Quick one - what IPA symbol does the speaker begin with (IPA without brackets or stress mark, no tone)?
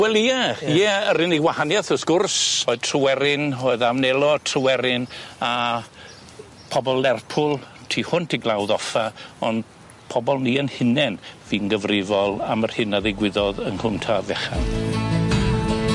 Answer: w